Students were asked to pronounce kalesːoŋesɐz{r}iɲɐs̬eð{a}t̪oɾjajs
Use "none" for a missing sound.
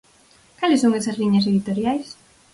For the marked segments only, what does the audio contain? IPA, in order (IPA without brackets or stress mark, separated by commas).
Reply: l, i